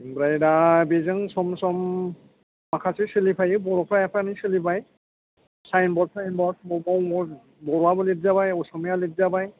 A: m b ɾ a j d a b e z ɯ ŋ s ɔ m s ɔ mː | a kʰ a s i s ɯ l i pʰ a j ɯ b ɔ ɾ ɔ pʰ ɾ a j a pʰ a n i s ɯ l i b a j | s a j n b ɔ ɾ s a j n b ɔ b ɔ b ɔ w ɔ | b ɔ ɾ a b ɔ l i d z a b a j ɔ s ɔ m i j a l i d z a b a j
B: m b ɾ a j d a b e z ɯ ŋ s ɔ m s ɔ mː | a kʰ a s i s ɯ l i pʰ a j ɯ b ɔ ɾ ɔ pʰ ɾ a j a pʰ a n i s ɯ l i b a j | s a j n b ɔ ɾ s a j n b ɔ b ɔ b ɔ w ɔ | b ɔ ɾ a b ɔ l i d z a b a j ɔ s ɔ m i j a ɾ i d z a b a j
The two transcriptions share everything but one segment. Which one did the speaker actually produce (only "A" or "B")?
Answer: A